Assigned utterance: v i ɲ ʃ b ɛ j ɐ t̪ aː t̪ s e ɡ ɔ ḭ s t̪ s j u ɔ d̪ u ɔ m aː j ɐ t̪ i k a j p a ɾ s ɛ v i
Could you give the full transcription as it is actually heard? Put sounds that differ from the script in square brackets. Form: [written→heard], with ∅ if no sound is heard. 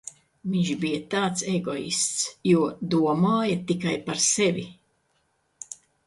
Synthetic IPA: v i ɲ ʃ b [ɛ→i] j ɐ t̪ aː t̪ s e ɡ ɔ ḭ s t̪ s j u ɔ d̪ u ɔ m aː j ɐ t̪ i k a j p a ɾ s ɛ v i